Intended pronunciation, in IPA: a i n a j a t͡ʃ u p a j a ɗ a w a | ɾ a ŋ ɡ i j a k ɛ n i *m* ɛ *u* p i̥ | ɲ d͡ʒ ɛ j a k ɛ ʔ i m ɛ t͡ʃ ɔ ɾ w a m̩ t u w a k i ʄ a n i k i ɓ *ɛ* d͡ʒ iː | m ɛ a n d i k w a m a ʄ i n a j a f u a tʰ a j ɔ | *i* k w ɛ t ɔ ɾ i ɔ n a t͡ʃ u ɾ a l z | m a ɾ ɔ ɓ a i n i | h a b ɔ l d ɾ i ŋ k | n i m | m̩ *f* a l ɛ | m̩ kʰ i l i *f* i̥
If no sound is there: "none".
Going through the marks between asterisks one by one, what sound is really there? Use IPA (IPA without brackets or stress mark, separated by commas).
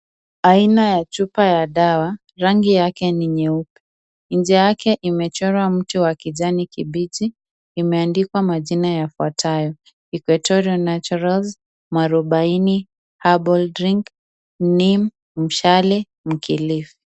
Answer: ɲ, u, i, i, ʃ, f